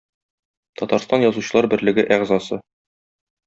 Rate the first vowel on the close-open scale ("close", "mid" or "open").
open